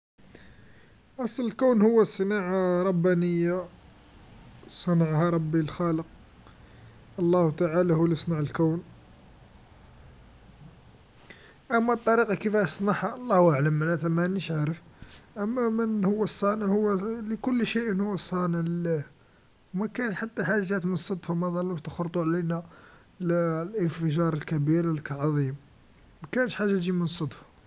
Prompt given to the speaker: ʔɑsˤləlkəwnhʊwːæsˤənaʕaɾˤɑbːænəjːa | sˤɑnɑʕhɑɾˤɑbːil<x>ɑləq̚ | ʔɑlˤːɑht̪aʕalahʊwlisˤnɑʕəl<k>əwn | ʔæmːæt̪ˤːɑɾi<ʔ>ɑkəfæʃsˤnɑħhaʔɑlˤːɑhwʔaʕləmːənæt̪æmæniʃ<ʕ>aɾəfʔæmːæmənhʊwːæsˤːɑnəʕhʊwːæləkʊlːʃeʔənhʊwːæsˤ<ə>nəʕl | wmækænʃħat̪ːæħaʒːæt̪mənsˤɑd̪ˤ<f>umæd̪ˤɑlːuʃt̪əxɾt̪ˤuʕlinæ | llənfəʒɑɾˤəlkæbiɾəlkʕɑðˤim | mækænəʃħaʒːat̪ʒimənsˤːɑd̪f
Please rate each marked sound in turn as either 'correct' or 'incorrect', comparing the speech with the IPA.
correct, correct, incorrect: q, correct, incorrect: ɑ, correct

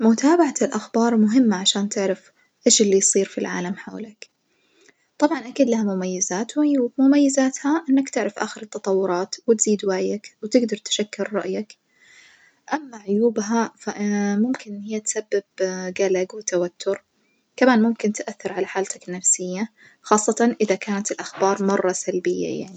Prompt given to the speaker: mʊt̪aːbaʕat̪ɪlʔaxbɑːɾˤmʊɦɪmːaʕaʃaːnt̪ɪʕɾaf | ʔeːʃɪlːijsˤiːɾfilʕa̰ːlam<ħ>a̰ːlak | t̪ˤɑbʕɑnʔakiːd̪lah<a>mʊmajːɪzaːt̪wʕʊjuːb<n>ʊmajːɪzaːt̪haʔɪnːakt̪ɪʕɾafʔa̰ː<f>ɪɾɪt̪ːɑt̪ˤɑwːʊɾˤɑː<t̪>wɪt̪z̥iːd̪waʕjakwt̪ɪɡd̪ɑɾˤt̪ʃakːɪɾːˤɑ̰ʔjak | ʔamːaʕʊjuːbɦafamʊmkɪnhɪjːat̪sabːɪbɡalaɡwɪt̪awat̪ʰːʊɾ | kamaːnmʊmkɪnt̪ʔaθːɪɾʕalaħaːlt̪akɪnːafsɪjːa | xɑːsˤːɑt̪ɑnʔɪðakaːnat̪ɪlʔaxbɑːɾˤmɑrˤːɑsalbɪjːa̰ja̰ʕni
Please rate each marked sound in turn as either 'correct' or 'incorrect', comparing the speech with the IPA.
correct, correct, incorrect: m, incorrect: x, correct

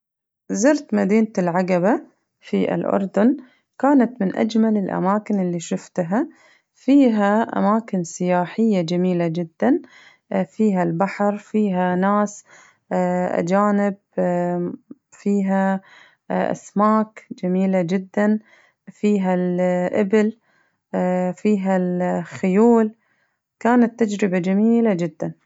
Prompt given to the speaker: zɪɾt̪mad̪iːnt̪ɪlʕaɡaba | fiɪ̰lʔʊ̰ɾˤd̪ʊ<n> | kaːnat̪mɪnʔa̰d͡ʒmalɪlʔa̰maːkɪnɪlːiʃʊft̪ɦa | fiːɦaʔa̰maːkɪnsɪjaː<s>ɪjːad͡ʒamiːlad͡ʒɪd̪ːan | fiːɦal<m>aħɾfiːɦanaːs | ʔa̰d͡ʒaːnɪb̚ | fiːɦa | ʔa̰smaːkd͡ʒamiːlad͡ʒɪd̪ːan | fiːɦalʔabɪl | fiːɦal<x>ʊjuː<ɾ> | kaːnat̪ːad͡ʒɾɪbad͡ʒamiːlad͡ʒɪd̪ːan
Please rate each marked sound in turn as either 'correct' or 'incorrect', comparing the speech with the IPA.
correct, incorrect: ħ, incorrect: b, correct, incorrect: l

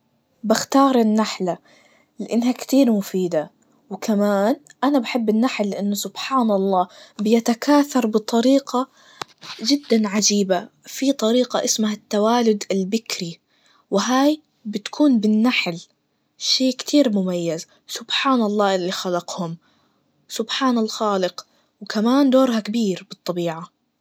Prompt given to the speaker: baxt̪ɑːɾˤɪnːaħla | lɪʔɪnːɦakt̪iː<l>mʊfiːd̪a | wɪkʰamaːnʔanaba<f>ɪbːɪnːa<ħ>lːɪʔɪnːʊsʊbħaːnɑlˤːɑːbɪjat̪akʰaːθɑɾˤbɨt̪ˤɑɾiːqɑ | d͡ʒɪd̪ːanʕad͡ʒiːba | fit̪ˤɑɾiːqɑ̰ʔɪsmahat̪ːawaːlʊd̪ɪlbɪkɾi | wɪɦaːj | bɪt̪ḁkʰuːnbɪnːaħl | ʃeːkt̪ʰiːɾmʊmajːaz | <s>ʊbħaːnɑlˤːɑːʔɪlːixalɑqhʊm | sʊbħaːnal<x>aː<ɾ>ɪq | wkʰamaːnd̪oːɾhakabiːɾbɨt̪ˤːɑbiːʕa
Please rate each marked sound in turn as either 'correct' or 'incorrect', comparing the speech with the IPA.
incorrect: ɾ, incorrect: ħ, correct, correct, correct, incorrect: l

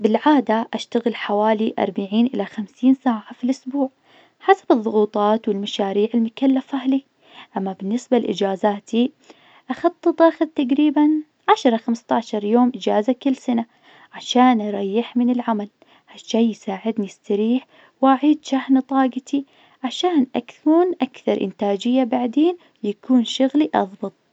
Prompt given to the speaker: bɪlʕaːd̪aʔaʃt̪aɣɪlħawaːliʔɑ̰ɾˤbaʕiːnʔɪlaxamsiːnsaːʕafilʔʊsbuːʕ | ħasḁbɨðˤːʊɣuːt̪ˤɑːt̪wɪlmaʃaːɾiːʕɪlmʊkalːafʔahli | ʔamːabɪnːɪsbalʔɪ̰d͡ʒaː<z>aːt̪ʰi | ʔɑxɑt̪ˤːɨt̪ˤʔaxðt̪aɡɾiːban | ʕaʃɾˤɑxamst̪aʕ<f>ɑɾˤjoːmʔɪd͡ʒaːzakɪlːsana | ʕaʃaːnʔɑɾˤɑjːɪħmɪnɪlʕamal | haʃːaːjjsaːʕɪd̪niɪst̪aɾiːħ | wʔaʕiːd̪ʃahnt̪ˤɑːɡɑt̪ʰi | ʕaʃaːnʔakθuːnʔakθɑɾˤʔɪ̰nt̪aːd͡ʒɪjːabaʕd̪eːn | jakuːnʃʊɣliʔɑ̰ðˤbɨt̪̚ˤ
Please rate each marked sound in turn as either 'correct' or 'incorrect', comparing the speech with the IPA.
correct, incorrect: ʃ

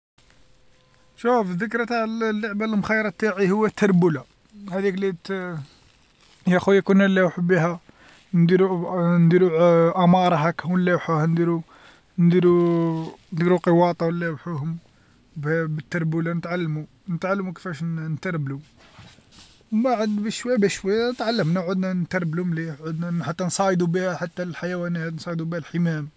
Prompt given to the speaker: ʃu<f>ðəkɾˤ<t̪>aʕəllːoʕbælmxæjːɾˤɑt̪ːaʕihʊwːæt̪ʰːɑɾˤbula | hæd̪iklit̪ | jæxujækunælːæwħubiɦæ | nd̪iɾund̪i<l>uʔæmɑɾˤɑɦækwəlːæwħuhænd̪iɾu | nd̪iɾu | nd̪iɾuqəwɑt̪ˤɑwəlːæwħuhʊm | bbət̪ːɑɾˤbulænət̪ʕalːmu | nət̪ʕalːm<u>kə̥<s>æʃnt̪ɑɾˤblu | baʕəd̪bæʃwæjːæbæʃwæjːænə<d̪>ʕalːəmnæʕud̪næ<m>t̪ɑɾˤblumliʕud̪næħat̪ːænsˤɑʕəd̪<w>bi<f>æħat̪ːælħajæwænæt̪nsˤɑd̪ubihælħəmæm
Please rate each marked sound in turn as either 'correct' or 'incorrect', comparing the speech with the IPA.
correct, correct, incorrect: ɾ, correct, incorrect: f, incorrect: t̪, incorrect: n, incorrect: u, incorrect: h

